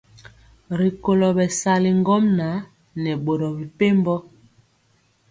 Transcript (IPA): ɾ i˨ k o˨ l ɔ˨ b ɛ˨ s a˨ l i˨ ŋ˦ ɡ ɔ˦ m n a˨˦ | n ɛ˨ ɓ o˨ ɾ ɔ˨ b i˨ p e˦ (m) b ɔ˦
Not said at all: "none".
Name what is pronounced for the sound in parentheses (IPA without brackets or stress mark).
m